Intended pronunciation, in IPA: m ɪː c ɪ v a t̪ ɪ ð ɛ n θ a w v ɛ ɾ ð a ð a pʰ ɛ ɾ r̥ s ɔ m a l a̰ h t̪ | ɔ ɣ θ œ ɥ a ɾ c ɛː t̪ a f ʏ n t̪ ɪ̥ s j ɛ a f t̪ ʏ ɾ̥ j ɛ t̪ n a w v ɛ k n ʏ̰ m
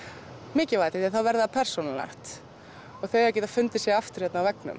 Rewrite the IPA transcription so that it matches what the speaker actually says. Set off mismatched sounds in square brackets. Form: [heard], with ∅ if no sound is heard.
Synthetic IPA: m ɪː c ɪ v a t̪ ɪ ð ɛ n θ a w v ɛ ɾ ð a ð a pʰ ɛ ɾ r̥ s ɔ [n] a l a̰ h t̪ | ɔ ɣ θ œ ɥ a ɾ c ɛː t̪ a f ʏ n t̪ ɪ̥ s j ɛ a f t̪ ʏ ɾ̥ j ɛ t̪ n a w v ɛ k n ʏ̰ m